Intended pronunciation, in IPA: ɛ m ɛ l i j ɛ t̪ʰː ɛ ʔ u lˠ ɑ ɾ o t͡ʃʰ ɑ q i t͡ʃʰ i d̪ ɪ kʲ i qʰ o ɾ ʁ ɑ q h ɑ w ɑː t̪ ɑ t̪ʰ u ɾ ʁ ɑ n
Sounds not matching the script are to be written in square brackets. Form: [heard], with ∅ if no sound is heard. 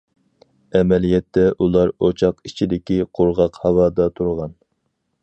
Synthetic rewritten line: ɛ m ɛ l i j ɛ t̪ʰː ɛ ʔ u lˠ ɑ ɾ o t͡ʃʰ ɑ q i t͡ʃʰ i d̪ ɪ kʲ i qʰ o ɾ ʁ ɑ q h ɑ w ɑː [d̪] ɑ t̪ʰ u ɾ ʁ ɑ n